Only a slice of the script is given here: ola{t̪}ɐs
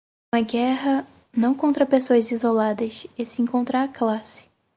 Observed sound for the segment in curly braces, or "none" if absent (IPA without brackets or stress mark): d̪